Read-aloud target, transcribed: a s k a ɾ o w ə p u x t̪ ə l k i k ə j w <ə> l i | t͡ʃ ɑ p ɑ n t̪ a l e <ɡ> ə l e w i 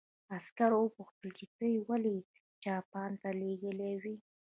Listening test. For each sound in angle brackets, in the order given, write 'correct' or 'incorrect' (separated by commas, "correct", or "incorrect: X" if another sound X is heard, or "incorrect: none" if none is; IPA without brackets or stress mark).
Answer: incorrect: a, correct